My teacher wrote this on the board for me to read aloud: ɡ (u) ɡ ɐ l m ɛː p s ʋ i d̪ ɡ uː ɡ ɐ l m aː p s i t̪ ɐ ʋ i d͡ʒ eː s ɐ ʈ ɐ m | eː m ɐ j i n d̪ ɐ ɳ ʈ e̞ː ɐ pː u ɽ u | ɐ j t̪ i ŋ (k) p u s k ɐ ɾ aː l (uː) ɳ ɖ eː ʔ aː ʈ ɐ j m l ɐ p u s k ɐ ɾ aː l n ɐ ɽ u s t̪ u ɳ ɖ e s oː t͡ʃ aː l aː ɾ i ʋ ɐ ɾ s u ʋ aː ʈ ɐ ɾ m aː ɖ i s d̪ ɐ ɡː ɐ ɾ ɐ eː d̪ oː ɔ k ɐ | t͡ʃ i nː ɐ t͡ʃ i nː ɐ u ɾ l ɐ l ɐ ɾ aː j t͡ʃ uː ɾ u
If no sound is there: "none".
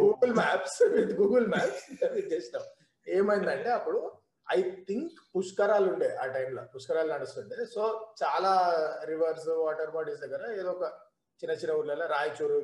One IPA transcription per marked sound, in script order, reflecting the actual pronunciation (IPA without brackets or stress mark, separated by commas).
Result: uː, k, u